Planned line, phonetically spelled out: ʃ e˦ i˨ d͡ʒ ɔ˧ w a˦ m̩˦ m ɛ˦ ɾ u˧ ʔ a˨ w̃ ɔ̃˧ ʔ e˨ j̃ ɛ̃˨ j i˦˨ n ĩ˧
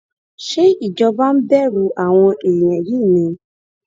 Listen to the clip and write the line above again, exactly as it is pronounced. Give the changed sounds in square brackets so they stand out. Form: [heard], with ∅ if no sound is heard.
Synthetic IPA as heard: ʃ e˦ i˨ d͡ʒ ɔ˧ [b] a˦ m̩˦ [b] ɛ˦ ɾ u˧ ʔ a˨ w̃ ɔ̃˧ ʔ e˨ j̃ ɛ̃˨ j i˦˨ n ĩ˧